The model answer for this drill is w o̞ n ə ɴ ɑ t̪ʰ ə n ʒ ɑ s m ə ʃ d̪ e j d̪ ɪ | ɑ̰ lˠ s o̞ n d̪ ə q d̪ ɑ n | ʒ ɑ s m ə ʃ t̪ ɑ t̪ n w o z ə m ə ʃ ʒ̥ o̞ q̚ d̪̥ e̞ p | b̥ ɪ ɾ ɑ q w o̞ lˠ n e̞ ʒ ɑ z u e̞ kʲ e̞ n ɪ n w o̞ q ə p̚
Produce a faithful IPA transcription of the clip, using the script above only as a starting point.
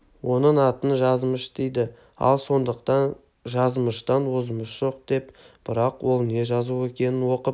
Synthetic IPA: w o̞ n ə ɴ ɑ t̪ ə n ʒ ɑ z m ə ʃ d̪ e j d̪ ɪ | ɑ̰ lˠ s o̞ n d̪ ə q t̪ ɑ n | ʒ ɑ z m ə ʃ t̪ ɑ n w o z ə m ə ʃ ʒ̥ o̞ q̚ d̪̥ e̞ p | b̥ ɪ ɾ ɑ q w o̞ lˠ n e̞ ʒ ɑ z u e̞ kʲ e̞ n ɪ n w o̞ q ə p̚